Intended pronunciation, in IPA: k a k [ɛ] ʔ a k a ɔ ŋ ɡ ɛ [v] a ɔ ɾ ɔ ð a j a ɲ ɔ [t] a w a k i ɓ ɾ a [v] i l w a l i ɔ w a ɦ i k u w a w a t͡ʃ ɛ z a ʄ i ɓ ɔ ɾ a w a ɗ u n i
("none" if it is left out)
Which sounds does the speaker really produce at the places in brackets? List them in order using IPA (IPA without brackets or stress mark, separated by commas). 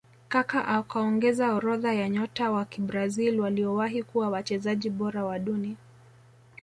a, z, t, z